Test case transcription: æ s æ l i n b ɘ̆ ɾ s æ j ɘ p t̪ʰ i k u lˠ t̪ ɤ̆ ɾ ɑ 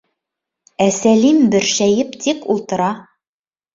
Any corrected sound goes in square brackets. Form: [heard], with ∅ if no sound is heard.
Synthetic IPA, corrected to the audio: æ s æ l i [m] b ɘ̆ ɾ [ʃ] æ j ɘ p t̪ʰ i k u lˠ t̪ ɤ̆ ɾ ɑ